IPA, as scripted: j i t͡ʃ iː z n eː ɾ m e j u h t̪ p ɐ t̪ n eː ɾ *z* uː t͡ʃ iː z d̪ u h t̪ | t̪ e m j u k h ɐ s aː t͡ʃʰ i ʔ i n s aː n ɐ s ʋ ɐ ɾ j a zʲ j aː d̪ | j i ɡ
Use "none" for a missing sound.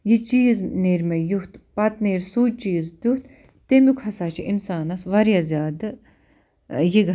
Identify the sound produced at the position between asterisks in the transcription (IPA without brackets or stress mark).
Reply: s